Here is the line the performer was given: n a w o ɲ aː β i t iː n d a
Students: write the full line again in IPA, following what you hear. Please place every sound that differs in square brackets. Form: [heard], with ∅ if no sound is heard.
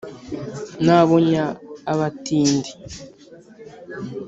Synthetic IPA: n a [β] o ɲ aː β [a] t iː n d [i]